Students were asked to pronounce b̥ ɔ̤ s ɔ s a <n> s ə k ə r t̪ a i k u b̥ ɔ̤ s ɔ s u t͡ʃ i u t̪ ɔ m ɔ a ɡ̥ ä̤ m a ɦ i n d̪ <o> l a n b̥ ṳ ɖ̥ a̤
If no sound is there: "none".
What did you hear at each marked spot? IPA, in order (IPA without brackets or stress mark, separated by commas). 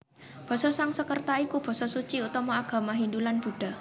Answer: ŋ, u